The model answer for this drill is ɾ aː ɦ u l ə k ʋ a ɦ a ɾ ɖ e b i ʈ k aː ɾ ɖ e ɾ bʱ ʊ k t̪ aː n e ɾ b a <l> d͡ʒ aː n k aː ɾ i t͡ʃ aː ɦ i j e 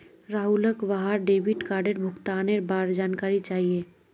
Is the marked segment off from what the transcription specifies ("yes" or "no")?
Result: yes